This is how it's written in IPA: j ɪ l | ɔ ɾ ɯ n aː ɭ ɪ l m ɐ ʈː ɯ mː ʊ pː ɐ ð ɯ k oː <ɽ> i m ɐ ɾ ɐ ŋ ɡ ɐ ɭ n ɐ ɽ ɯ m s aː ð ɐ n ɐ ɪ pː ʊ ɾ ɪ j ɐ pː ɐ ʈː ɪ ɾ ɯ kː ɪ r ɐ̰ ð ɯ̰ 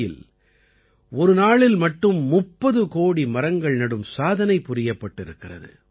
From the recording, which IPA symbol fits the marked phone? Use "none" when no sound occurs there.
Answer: ɽ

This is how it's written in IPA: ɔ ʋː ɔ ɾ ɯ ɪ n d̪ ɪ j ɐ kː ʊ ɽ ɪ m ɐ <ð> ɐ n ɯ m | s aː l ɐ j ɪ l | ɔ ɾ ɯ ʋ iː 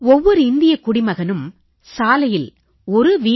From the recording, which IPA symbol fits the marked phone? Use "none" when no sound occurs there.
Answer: ɣ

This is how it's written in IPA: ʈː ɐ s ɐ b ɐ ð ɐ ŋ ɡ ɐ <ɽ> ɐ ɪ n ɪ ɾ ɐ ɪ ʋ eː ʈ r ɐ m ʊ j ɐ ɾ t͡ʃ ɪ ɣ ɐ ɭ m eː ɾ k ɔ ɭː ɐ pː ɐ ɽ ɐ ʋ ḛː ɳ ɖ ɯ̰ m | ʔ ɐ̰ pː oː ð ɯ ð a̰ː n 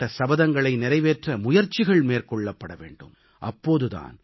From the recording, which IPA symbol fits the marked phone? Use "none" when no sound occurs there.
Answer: ɭ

